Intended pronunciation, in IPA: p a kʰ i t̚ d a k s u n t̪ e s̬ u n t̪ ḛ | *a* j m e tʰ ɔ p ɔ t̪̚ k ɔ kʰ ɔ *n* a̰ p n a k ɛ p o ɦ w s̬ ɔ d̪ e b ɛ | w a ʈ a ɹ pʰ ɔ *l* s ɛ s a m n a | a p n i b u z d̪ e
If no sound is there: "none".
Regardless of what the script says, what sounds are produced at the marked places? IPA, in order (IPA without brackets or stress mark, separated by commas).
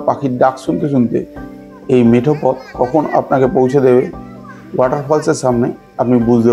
e, n, l